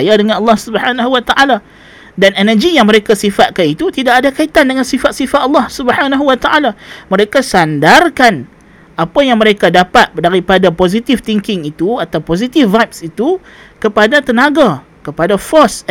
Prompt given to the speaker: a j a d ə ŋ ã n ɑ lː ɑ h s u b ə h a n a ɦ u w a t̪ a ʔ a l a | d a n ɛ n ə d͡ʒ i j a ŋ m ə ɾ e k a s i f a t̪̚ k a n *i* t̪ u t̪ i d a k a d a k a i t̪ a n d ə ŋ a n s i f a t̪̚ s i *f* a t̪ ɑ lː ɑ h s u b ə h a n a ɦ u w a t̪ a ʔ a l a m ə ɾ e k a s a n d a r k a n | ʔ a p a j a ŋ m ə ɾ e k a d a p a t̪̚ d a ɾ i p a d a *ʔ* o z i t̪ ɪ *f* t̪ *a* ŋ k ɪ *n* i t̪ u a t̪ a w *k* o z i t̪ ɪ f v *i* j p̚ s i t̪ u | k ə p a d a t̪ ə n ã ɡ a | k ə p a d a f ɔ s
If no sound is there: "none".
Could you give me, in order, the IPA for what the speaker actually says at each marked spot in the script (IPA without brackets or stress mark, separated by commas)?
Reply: i, f, p, f, i, ŋ, p, a